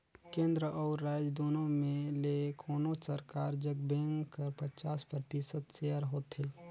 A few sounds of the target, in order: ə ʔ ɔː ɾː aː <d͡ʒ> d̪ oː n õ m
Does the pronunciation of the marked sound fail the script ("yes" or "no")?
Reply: no